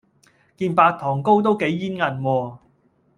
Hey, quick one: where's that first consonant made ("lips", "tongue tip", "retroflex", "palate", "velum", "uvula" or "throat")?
velum